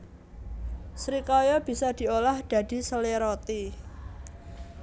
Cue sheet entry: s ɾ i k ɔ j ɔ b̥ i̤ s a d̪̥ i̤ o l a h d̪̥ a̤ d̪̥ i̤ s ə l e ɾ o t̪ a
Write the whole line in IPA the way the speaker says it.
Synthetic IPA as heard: s ɾ i k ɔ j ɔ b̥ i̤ s a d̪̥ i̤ o l a h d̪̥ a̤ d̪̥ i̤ s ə l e ɾ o t̪ i